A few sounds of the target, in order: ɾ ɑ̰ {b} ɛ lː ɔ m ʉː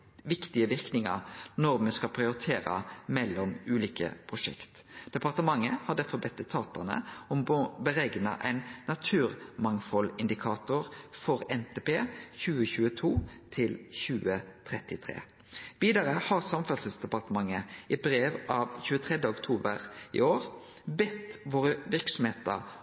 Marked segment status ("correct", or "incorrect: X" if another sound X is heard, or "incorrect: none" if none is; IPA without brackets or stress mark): incorrect: m